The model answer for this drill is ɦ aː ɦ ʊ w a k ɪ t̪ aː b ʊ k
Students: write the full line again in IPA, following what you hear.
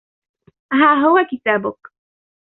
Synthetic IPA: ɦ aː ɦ ʊ w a k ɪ t̪ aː b ʊ k